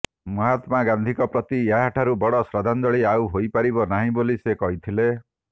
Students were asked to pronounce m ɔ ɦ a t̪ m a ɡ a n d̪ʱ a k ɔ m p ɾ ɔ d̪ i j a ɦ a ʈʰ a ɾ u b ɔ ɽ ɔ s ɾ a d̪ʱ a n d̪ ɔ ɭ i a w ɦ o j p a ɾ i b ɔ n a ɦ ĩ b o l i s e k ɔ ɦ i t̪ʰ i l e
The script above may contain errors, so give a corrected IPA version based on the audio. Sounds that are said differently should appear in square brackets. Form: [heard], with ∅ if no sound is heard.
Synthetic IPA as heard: m ɔ ɦ a t̪ m a ɡ a n d̪ʱ [i] k ɔ [∅] p ɾ ɔ [t̪] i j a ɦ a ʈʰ a ɾ u b ɔ ɽ ɔ s ɾ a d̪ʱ a n d̪ ɔ ɭ i a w ɦ o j p a ɾ i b ɔ n a ɦ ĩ b o l i s e k ɔ ɦ i t̪ʰ i l e